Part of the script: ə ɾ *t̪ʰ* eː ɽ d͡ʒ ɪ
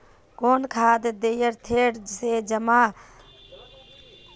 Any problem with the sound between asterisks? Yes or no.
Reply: no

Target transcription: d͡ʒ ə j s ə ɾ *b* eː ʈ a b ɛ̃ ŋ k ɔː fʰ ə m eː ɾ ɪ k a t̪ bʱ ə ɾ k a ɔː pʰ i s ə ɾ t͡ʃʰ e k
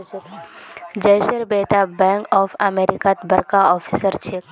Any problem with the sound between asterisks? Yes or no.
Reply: no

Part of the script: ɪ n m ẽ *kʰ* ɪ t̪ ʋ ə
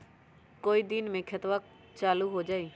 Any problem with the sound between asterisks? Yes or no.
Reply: no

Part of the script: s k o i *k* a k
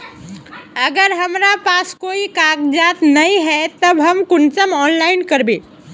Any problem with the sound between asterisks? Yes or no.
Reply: no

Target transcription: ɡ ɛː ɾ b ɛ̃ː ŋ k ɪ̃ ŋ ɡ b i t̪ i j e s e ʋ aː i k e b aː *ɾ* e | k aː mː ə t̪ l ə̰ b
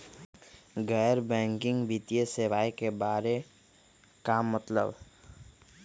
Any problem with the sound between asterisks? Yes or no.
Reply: no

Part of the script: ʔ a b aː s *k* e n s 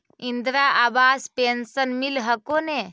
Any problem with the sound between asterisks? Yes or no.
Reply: yes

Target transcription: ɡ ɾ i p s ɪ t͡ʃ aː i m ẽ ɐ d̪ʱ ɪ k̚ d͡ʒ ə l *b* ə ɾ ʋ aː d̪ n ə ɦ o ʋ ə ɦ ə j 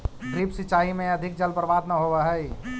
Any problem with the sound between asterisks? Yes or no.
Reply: yes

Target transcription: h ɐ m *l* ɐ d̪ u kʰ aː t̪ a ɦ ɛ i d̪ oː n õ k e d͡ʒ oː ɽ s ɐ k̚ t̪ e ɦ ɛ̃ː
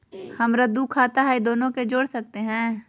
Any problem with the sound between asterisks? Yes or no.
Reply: yes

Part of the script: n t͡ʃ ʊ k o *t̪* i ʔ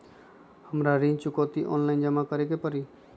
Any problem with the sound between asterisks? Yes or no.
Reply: no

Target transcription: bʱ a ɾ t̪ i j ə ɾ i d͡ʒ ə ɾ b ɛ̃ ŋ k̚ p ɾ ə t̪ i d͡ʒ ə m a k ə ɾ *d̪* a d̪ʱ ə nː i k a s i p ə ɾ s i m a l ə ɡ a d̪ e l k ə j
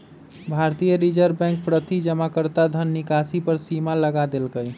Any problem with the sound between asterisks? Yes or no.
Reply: yes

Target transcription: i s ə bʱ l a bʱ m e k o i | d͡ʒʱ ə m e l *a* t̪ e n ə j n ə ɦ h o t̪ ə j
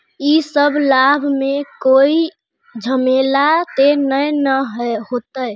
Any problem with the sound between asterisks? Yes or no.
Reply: no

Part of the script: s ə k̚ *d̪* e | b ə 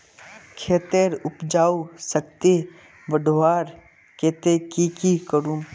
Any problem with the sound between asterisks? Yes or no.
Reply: yes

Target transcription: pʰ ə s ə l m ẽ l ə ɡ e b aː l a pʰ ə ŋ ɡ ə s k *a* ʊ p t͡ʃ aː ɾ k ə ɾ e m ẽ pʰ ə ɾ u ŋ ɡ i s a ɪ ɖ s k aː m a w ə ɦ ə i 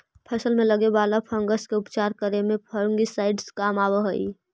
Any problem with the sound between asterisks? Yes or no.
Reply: yes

